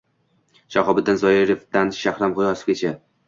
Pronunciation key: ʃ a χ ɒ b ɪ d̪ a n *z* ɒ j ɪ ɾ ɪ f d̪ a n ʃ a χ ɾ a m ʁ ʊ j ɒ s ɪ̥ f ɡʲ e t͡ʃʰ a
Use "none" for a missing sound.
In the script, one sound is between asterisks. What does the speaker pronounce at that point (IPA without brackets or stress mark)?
z